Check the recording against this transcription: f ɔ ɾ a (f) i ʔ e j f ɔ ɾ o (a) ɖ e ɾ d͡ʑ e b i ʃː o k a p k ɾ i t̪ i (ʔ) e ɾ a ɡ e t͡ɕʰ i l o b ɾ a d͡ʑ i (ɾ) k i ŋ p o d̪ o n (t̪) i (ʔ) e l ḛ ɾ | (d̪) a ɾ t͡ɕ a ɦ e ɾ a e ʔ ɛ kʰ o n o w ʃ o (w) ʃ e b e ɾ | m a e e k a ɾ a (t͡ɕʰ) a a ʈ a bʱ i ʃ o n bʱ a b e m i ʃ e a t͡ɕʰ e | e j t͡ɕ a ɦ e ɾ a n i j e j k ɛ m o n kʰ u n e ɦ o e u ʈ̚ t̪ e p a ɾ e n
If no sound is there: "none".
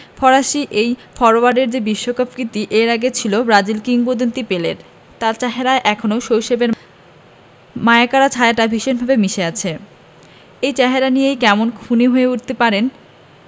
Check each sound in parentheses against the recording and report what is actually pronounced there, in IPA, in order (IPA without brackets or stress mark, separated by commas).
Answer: ʃ, a, ʔ, l, t̪, p, t̪, w, t͡ɕʰ